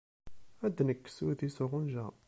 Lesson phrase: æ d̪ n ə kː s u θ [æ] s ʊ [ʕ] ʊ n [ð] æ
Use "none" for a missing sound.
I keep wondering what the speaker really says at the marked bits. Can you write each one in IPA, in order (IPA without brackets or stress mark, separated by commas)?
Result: i, ʁ, ʒ